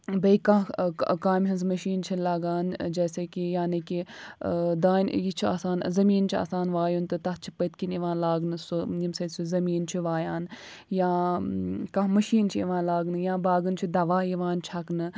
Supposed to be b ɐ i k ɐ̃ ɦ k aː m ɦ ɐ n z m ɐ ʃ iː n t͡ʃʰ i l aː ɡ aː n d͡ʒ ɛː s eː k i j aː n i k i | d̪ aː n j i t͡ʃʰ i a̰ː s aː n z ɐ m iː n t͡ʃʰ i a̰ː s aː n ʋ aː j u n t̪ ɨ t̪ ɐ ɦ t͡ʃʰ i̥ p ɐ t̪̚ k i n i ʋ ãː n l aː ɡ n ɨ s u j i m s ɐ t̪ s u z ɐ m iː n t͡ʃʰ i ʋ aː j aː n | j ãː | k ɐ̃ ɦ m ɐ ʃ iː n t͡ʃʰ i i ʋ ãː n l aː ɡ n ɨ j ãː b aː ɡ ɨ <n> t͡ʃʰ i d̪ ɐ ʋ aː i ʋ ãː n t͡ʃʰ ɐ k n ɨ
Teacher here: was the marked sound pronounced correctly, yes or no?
yes